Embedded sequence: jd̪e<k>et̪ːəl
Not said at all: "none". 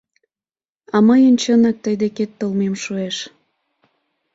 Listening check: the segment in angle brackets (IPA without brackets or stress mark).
k